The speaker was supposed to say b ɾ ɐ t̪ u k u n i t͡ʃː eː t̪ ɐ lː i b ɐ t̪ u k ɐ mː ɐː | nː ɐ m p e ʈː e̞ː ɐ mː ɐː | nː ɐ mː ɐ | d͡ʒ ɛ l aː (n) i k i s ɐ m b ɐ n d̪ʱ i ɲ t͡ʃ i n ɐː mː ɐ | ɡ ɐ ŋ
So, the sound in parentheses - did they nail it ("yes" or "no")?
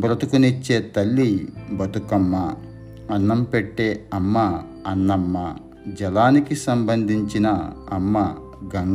yes